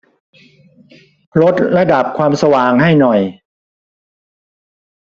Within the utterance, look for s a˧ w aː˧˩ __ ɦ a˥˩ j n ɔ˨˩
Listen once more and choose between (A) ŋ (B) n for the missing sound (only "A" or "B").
A